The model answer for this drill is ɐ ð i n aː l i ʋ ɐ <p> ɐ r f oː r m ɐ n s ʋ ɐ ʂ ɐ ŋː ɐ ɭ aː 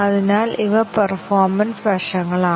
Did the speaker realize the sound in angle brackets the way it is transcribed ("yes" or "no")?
yes